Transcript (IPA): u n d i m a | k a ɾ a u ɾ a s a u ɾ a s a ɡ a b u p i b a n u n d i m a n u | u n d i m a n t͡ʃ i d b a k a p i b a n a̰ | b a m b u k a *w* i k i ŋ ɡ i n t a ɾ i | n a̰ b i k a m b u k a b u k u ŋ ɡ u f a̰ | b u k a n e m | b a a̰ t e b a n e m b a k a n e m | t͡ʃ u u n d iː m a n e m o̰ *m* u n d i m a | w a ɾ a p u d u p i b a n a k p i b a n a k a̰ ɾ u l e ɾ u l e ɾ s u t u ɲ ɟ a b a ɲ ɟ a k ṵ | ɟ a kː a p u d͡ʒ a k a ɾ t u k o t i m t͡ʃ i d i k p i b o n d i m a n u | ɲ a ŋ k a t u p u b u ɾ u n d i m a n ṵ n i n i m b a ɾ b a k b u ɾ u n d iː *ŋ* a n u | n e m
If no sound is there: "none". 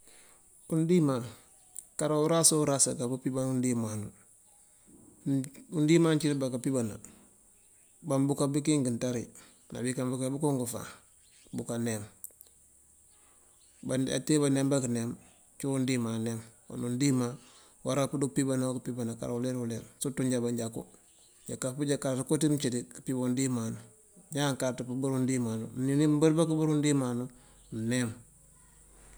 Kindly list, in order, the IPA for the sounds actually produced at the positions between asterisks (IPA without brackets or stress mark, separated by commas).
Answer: b, n, m